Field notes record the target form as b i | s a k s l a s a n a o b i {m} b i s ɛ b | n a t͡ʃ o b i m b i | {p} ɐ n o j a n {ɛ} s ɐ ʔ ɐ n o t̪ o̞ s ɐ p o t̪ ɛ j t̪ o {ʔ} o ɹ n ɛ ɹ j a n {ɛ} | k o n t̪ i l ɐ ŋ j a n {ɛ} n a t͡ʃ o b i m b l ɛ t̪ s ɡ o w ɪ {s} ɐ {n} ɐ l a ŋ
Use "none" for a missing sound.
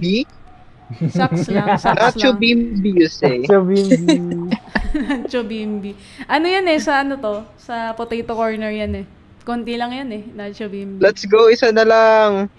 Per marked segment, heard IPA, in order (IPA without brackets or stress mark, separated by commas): m, ʔ, ɛ, k, ɛ, ɛ, s, n